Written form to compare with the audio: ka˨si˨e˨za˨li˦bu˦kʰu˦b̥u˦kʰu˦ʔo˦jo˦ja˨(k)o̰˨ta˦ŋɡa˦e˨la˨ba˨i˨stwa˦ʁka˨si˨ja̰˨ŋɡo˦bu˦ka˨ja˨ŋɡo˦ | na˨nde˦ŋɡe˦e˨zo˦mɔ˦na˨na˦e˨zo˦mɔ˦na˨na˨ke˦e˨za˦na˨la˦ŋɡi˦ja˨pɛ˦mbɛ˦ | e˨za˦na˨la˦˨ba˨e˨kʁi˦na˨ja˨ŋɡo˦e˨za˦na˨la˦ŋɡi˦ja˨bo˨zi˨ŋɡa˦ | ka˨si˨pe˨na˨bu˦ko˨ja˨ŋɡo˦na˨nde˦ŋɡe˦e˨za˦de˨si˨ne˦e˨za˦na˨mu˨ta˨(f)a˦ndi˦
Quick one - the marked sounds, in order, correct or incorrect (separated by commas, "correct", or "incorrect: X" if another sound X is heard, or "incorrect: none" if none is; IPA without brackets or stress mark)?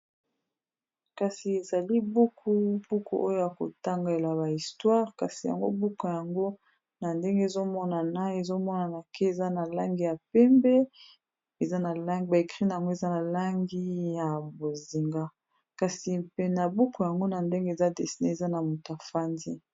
correct, correct